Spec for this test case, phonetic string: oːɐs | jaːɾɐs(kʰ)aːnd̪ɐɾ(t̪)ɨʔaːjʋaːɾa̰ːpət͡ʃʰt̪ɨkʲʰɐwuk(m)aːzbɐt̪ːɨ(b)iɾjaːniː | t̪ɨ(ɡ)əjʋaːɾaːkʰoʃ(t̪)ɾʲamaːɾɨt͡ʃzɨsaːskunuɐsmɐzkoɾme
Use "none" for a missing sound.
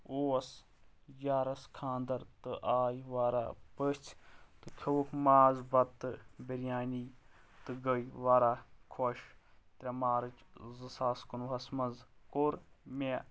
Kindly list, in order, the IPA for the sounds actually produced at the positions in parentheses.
kʰ, t̪, m, b, ɡ, t̪

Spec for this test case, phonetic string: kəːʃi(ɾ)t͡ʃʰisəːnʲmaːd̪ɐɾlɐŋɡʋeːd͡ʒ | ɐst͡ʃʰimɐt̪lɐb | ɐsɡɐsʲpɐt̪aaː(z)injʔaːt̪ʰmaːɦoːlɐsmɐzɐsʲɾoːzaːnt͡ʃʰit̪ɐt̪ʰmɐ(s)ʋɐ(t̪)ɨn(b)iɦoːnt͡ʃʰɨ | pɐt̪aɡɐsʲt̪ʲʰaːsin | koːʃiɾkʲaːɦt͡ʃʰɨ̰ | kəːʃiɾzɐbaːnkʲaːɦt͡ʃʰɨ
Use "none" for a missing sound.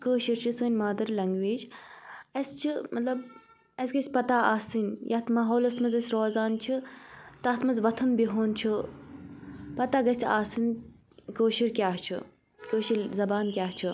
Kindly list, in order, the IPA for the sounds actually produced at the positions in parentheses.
ɾ, s, z, t̪ʰ, b

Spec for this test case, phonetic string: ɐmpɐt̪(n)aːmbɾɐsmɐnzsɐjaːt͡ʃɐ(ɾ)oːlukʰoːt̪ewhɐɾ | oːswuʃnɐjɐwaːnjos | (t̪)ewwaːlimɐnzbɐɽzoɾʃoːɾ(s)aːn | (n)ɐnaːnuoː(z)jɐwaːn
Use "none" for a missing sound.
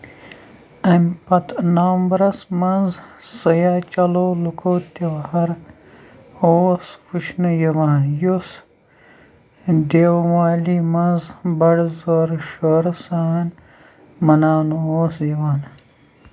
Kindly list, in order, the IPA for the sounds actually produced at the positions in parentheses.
n, l, d̪, s, m, s

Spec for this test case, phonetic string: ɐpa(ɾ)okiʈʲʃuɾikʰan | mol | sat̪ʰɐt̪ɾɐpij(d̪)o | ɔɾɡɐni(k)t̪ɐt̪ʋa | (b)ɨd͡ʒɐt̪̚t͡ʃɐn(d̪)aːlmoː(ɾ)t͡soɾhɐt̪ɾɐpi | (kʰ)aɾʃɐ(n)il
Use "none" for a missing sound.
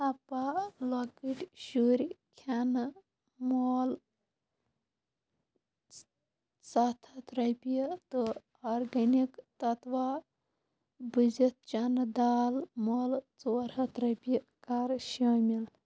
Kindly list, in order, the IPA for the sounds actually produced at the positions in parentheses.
l, t̪, k, b, d̪, l, k, m

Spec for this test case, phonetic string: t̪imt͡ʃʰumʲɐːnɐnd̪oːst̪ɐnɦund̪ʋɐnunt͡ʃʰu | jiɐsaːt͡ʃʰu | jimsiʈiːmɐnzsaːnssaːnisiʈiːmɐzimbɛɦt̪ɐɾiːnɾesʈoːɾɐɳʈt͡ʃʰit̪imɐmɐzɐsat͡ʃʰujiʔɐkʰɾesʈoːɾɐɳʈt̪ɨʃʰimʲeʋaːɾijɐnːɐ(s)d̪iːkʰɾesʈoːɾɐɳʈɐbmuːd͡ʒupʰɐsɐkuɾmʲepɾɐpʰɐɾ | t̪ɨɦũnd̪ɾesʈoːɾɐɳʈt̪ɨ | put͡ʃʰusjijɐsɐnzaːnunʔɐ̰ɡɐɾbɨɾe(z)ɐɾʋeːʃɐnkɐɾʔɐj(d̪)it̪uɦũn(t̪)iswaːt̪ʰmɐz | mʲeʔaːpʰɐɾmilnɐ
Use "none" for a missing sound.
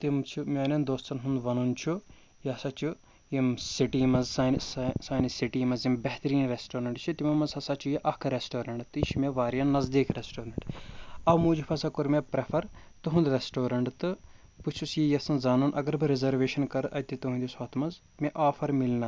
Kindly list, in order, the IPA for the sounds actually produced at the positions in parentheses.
z, z, t̪, d̪

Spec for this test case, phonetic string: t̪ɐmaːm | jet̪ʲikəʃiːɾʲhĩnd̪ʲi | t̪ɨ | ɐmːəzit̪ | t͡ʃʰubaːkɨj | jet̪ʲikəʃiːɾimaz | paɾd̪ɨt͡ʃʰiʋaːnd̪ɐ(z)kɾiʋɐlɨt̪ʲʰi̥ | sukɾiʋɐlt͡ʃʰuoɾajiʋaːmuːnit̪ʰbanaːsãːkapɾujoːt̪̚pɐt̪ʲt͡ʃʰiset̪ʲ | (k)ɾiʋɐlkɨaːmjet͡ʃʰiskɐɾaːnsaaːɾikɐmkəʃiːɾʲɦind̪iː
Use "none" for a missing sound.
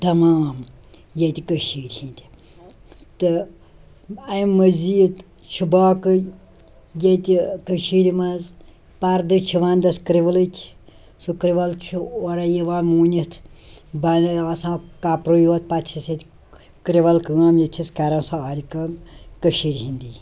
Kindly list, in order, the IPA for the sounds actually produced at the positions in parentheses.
s, k

